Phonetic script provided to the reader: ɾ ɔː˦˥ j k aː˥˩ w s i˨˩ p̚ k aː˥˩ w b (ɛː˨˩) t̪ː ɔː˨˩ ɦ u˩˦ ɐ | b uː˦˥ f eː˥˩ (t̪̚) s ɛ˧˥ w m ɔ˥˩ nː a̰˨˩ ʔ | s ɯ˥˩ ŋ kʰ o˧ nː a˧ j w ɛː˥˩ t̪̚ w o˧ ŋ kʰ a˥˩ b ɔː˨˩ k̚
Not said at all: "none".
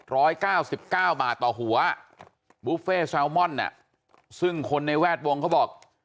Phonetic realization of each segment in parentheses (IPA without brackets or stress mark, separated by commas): aː˨˩, none